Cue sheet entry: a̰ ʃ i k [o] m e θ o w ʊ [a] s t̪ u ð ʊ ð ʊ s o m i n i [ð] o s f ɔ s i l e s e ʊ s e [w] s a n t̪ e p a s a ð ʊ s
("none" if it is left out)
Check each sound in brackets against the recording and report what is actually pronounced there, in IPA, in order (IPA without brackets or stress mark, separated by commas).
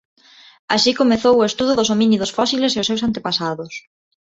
o, e, ð, w